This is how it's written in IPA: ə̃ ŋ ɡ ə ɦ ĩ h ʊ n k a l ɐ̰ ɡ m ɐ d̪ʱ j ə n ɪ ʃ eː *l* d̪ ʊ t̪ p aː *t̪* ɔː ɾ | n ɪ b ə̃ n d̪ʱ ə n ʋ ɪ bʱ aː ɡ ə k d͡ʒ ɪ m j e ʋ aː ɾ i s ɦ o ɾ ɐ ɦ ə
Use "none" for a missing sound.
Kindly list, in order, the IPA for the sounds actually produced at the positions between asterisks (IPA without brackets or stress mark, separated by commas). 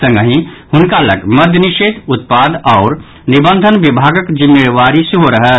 none, d̪